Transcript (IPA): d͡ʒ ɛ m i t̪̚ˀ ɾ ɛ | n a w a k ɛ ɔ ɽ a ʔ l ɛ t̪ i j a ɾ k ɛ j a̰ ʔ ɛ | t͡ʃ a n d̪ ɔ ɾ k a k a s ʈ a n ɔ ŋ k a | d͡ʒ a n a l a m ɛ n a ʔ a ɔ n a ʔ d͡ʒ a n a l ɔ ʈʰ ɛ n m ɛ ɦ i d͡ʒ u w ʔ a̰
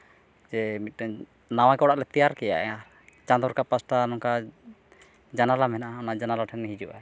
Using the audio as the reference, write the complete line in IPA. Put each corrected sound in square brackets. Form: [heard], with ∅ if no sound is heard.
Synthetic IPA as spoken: d͡ʒ ɛ m i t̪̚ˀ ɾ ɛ | n a w a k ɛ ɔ ɽ a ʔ l ɛ t̪ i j a ɾ k ɛ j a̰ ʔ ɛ | t͡ʃ a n d̪ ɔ ɾ k a [p] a s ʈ a n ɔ ŋ k a | d͡ʒ a n a l a m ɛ n a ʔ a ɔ n a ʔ d͡ʒ a n a l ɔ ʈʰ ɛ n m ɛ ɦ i d͡ʒ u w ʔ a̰